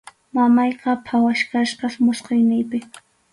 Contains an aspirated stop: yes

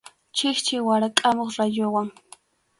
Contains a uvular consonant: yes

